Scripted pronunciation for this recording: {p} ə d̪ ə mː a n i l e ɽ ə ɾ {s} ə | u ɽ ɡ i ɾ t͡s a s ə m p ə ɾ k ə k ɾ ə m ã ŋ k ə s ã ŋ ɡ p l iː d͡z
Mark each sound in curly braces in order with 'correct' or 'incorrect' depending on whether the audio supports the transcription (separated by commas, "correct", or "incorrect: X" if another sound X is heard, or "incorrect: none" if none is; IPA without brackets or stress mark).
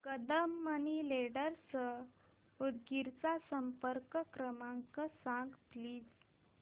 incorrect: k, correct